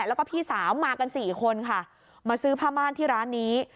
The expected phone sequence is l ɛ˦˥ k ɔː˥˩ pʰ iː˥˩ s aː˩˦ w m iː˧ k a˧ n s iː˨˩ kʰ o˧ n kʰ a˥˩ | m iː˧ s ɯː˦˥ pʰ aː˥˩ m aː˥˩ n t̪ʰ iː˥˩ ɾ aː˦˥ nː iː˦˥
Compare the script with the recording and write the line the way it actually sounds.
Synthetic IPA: l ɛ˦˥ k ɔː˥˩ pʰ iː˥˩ s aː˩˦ w m aː˧ k a˧ n s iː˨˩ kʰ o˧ n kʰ a˥˩ | m aː˧ s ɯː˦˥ pʰ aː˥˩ m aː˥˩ n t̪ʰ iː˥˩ ɾ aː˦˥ nː iː˦˥

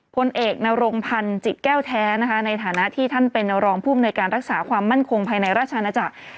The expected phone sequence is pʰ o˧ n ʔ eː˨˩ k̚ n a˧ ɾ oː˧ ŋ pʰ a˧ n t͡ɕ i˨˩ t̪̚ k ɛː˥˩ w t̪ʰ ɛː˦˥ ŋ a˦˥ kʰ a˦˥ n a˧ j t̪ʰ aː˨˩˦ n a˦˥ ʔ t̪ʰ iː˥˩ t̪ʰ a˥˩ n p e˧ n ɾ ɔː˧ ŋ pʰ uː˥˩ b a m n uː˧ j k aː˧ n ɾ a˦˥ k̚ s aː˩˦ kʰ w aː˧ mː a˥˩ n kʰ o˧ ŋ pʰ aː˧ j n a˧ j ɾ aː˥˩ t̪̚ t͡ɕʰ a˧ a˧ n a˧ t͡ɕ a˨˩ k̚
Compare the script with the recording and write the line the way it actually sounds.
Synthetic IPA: pʰ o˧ n ʔ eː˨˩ k̚ n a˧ ɾ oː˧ ŋ pʰ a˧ n t͡ɕ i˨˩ t̪̚ k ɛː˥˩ w t̪ʰ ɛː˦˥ n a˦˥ kʰ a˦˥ n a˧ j t̪ʰ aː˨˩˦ n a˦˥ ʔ t̪ʰ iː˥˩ t̪ʰ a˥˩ n p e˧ n ɾ ɔː˧ ŋ pʰ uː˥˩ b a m n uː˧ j k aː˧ n ɾ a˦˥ k̚ s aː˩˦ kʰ w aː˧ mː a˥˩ n kʰ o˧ ŋ pʰ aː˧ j n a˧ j ɾ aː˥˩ t̪̚ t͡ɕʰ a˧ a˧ n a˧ t͡ɕ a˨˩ k̚

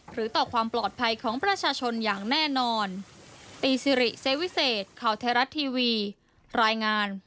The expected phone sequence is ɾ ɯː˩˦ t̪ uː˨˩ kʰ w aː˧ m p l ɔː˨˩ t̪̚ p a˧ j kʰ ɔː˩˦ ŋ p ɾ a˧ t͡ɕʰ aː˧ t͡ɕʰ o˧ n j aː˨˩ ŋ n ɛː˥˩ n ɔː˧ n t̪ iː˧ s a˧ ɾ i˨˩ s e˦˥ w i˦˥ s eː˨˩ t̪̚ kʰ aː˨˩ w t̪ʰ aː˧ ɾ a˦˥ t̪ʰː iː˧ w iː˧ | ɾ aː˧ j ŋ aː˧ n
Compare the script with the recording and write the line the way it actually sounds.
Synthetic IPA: ɾ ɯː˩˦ t̪ ɔː˨˩ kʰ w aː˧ m p l ɔː˨˩ t̪̚ pʰ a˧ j kʰ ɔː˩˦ ŋ p ɾ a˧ t͡ɕʰ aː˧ t͡ɕʰ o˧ n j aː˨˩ ŋ n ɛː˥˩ n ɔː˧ n t̪ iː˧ s i˧ ɾ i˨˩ s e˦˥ w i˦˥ s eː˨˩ t̪̚ kʰ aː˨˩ w t̪ʰ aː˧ ɾ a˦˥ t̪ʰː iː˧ w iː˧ | ɾ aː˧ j ŋ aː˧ n

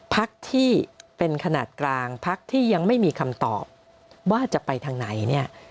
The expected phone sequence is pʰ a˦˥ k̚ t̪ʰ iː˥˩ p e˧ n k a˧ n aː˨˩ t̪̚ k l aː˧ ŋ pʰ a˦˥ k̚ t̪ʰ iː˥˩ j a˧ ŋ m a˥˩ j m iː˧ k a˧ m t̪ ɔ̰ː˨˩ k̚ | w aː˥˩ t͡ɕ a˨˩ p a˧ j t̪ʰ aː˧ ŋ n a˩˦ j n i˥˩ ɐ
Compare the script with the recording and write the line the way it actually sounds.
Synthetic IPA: pʰ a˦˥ k̚ t̪ʰ iː˥˩ p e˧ n kʰ a˧ n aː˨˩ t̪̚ k l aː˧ ŋ pʰ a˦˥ k̚ t̪ʰ iː˥˩ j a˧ ŋ m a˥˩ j m iː˧ kʰ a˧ m t̪ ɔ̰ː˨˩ p̚ | w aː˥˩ t͡ɕ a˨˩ p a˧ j t̪ʰ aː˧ ŋ n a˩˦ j n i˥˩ ɐ

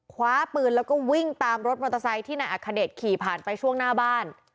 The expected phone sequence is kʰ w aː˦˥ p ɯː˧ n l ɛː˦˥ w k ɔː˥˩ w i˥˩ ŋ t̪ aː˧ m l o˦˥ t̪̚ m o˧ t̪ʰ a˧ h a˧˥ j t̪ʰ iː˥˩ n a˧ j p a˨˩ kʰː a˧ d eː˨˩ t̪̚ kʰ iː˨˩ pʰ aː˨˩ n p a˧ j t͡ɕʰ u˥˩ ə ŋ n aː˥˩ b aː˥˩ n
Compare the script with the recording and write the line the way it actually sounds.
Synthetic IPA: kʰ w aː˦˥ p ɯː˧ n l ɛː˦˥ w k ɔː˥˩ w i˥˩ ŋ t̪ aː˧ m ɾ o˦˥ t̪̚ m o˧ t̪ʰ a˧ s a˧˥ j t̪ʰ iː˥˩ n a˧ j ʔ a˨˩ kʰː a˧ d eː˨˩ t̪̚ kʰ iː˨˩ pʰ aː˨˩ n p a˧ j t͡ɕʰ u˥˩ ə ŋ n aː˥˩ b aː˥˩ n

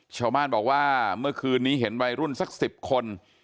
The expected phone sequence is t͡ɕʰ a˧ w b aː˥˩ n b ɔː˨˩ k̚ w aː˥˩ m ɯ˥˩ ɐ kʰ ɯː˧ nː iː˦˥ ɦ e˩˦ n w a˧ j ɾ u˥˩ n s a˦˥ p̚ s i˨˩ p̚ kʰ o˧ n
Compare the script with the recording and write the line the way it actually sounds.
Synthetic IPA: t͡ɕʰ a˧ w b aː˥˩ n b ɔː˨˩ k̚ w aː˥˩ m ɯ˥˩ ɐ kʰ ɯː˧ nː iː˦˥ ɦ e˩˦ n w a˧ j ɾ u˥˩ n s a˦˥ k̚ s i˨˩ p̚ kʰ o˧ n

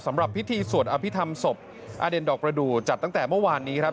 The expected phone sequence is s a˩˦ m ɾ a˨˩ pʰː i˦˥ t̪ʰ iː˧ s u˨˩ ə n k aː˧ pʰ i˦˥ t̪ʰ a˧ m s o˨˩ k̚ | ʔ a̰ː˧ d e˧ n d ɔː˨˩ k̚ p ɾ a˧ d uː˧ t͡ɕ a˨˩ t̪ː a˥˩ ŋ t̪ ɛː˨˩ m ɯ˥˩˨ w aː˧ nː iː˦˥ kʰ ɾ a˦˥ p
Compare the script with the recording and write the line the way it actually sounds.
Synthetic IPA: s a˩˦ m ɾ a˨˩ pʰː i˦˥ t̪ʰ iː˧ s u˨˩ ə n ʔ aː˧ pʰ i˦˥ t̪ʰ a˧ m s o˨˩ p̚ | ʔ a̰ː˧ d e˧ n d ɔː˨˩ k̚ p ɾ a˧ d uː˨˩ t͡ɕ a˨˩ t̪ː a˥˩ ŋ t̪ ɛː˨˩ m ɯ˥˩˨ w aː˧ nː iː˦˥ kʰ ɾ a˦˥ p

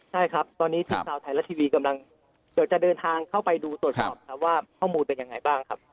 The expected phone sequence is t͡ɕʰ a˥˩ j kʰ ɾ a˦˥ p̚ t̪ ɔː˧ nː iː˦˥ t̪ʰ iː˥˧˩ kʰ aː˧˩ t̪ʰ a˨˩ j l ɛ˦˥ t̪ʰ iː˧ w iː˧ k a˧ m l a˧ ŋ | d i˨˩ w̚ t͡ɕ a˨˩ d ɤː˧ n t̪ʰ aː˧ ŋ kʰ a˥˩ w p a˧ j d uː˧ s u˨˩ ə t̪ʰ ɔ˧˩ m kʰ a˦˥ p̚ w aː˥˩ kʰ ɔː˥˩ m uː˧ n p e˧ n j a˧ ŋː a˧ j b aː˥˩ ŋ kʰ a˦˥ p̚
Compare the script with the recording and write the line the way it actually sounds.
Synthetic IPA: t͡ɕʰ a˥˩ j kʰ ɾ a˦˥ p̚ t̪ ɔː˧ nː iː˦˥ t̪ʰ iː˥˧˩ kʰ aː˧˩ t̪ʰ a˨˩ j l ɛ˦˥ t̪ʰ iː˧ w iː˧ k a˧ m l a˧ ŋ | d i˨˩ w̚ t͡ɕ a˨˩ d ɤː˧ n t̪ʰ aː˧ ŋ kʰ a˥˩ w p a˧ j d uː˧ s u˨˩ ə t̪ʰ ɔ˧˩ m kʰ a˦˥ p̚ w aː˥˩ kʰ ɔː˥˩ m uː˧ n p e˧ n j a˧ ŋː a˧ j b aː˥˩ ŋ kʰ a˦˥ p̚

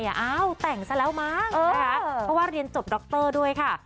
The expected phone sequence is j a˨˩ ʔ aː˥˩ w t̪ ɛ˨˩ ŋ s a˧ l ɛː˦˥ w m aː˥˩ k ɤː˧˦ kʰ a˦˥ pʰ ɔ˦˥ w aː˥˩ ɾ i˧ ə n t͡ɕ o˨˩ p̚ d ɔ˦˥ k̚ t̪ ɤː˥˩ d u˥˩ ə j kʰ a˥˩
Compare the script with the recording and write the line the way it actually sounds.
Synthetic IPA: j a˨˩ ʔ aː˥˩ w t̪ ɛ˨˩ ŋ s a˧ l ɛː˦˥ w m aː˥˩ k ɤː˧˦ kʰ a˦˥ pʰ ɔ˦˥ w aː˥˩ ɾ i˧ ə n t͡ɕ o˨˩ p̚ d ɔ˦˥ k̚ t̪ ɤː˥˩ d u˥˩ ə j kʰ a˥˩

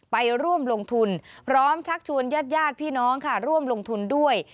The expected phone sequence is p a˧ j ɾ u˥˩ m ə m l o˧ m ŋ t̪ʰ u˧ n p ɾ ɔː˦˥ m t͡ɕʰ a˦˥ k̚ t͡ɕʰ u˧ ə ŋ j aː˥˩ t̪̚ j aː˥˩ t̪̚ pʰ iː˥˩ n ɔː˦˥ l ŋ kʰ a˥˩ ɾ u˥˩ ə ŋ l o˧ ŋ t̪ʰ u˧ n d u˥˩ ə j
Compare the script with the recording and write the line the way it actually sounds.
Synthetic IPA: p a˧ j ɾ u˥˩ ə m l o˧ ŋ t̪ʰ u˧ n pʰ ɾ ɔː˦˥ m t͡ɕʰ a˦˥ k̚ t͡ɕʰ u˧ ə n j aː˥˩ t̪̚ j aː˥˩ t̪̚ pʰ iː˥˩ n ɔː˦˥ ŋ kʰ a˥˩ ɾ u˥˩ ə m l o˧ ŋ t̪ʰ u˧ n d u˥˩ ə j

